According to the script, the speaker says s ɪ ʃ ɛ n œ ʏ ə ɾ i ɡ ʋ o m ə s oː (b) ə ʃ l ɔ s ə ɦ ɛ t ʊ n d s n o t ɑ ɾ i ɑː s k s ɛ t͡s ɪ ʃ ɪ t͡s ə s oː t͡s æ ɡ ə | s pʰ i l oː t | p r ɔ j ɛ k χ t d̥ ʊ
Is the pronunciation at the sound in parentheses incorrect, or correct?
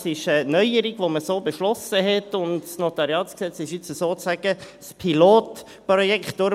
correct